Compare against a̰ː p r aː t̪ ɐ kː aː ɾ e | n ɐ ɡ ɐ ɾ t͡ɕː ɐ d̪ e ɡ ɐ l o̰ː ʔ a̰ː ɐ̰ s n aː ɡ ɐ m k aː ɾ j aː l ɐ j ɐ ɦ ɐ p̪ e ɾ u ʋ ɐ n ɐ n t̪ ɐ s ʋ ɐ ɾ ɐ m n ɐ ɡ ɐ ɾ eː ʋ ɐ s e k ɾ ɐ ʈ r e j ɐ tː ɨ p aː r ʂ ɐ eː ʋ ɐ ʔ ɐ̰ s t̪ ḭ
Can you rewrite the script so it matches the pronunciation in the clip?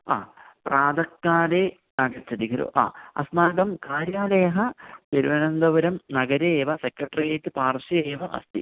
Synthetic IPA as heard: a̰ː p r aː d̪ ɐ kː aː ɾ e | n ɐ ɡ ɐ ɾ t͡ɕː ɐ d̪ i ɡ ɐ ɾ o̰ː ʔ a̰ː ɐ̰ s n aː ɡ ɐ m k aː ɾ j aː l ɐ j ɐ ɦ ɐ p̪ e ɾ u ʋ ɐ n ɐ n d̪ ɐ ʋ ɐ ɾ ɐ m n ɐ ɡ ɐ ɾ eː ʋ ɐ s e k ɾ ɐ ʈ r i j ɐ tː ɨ p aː r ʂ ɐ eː ʋ ɐ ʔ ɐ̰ s t̪ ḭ